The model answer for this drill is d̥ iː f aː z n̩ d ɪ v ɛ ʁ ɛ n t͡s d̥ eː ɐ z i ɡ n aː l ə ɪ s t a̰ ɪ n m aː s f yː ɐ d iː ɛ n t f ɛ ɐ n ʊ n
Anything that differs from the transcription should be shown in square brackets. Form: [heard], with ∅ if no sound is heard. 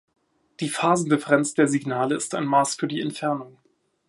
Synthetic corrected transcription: d̥ iː f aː z n̩ d ɪ [f] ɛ ʁ ɛ n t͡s d̥ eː ɐ z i ɡ n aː l ə ɪ s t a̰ ɪ n m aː s f yː ɐ d iː ɛ n t f ɛ ɐ n ʊ [ŋ]